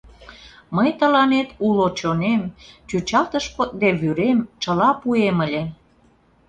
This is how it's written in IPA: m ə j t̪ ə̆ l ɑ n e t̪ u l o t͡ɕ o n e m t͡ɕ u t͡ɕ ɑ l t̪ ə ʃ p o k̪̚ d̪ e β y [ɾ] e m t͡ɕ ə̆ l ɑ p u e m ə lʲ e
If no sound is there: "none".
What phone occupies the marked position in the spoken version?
ɾ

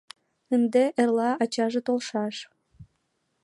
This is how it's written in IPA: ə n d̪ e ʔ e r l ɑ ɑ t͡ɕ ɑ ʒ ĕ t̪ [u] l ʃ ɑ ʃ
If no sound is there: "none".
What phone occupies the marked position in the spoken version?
o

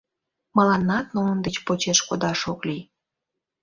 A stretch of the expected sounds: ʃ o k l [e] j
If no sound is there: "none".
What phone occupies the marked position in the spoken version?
i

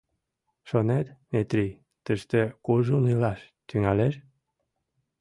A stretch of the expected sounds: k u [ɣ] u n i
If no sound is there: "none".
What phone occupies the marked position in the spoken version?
ʒ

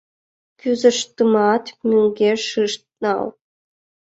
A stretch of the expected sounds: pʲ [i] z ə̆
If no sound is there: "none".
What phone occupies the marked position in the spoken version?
y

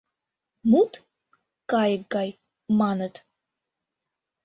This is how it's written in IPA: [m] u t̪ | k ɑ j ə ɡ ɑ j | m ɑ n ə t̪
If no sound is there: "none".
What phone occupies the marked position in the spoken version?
m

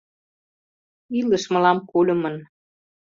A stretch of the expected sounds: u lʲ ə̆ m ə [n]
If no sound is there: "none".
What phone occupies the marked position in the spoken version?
n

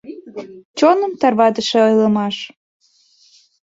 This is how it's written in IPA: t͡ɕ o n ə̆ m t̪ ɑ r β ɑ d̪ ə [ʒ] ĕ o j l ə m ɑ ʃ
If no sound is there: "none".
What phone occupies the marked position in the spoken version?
ʃ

